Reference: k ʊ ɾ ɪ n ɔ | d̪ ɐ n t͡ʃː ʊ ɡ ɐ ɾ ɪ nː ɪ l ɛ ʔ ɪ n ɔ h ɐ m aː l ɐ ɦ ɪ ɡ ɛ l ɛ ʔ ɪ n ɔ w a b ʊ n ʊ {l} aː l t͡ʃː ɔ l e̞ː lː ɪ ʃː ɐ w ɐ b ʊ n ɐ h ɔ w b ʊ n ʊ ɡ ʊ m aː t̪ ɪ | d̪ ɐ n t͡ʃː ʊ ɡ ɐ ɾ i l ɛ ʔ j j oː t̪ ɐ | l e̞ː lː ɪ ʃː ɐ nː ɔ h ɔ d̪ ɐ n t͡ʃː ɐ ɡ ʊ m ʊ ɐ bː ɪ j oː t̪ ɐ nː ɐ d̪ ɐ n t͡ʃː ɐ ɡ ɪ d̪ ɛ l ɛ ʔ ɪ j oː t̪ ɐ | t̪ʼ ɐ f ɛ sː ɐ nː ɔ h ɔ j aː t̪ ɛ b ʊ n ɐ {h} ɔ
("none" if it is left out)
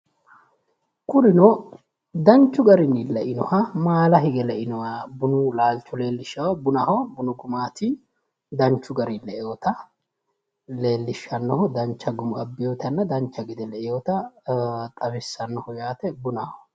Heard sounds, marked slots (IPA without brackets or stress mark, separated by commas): l, h